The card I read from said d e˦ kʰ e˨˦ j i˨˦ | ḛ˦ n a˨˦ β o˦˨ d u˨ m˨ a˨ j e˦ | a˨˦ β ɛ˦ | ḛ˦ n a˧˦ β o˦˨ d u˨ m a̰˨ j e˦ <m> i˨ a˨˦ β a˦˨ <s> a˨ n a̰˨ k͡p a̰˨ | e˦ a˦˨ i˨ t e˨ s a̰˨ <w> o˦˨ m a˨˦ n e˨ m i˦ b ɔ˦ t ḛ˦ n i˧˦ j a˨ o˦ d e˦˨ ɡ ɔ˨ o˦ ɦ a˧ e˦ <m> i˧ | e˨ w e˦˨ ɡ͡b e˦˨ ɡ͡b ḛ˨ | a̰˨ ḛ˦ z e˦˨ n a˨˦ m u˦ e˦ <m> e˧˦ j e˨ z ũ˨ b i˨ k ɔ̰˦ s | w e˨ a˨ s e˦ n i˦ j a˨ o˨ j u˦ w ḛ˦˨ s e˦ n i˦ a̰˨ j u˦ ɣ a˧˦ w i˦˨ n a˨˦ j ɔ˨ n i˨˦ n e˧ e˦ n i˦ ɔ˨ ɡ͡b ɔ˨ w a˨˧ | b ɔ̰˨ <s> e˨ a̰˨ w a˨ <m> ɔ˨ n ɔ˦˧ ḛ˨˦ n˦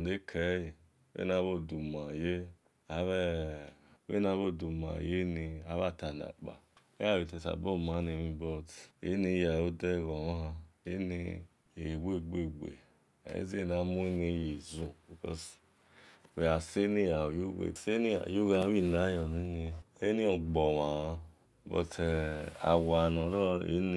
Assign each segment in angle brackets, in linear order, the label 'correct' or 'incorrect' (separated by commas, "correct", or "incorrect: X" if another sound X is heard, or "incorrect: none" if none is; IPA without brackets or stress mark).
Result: incorrect: n, incorrect: t, incorrect: b, incorrect: n, incorrect: n, incorrect: t, incorrect: n